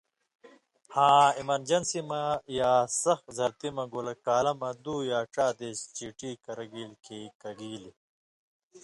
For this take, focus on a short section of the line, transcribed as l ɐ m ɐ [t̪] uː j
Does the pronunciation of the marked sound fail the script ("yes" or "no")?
yes